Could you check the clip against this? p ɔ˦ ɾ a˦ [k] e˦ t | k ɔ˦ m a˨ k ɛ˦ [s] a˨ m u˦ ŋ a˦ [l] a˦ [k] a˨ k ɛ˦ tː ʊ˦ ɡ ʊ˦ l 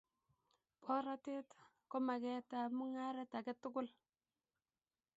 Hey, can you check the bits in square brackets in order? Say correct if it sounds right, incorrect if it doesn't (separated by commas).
incorrect, incorrect, incorrect, incorrect